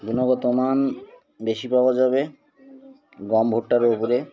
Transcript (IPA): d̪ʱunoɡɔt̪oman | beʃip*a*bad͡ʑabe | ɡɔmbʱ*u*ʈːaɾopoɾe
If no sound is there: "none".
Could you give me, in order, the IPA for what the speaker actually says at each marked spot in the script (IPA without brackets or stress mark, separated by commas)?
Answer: a, o